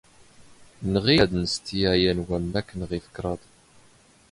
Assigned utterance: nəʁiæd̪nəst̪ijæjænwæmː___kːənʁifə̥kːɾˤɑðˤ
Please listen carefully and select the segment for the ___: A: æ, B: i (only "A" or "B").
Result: A